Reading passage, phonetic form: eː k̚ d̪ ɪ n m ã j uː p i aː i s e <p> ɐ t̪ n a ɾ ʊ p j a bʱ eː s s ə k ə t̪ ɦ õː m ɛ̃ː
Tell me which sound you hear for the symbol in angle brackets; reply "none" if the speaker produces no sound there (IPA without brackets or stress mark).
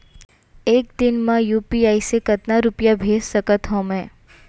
k